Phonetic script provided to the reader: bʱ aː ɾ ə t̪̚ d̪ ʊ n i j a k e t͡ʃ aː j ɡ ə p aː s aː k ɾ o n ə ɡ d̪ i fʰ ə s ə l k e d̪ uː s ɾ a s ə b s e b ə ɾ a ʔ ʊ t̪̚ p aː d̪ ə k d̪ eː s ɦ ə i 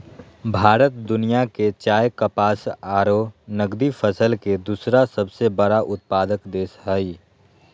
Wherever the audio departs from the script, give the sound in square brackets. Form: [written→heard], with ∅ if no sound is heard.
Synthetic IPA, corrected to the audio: bʱ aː ɾ ə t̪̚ d̪ ʊ n i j a k e t͡ʃ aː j [ɡ→k] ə p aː s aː [k→∅] ɾ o n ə ɡ d̪ i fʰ ə s ə l k e d̪ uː s ɾ a s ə b s e b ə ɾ a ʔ ʊ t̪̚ p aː d̪ ə k d̪ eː s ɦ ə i